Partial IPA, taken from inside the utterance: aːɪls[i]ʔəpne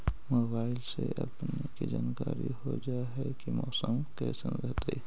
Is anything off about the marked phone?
yes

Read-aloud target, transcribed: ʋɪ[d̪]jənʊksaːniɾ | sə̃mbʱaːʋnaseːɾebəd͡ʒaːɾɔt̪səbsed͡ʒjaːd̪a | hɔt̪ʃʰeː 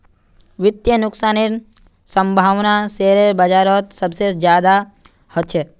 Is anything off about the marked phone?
yes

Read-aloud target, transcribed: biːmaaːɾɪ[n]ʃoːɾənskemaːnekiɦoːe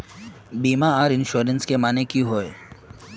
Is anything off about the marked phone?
no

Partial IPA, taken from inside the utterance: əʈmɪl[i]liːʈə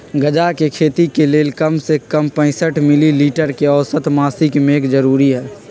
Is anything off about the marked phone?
no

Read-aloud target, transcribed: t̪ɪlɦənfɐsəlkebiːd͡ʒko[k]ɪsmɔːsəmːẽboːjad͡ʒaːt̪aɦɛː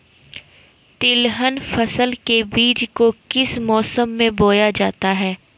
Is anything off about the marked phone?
no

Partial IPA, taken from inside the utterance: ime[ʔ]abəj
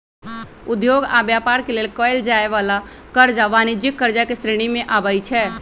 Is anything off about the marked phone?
no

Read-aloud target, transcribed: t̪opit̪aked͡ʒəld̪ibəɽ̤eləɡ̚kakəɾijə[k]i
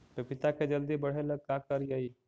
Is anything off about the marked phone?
yes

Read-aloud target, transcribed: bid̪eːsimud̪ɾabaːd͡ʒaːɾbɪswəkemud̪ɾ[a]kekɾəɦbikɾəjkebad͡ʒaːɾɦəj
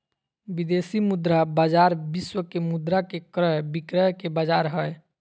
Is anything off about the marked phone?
no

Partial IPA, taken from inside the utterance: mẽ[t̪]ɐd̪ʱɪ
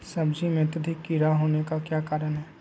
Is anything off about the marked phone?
no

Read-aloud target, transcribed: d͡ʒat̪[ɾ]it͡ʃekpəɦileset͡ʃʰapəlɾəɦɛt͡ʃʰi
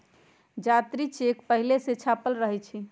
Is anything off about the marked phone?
no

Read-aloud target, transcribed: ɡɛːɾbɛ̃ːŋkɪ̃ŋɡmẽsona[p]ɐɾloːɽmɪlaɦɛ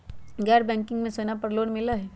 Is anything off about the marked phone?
no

